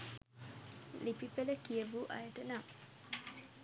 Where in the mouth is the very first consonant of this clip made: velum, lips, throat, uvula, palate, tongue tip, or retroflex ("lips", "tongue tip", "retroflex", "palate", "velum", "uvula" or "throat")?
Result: tongue tip